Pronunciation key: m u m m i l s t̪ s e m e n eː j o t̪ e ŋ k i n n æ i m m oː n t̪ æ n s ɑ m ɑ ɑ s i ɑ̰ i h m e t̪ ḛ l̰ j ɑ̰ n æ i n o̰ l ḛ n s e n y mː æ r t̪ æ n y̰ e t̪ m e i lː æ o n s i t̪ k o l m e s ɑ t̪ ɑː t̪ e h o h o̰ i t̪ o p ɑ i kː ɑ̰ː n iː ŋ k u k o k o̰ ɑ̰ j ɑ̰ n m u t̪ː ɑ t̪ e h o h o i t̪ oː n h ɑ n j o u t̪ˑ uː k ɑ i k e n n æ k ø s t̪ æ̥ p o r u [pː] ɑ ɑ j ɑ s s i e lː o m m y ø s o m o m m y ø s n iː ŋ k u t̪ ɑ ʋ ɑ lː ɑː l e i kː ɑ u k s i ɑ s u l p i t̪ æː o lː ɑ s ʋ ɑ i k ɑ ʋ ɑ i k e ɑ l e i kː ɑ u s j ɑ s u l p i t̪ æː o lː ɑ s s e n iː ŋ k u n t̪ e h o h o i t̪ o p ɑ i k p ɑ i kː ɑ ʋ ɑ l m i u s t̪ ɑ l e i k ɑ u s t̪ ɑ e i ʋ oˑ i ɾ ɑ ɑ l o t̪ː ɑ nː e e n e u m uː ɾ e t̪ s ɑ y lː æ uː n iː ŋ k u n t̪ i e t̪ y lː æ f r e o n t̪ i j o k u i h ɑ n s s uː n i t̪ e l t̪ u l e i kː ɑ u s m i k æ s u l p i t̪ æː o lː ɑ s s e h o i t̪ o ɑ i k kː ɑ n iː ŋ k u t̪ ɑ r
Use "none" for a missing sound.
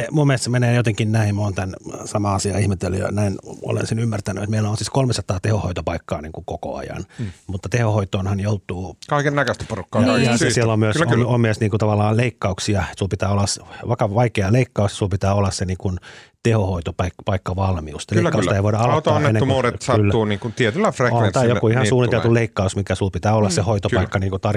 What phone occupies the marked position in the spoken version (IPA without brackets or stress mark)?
kː